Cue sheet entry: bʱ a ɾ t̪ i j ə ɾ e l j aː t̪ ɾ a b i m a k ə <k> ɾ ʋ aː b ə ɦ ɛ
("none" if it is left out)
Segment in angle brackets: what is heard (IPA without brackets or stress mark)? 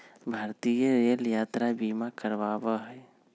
none